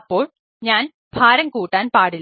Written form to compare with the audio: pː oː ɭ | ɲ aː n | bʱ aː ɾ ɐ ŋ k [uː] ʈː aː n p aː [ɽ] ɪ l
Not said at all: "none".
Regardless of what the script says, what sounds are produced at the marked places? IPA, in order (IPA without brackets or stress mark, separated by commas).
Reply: uː, ɽ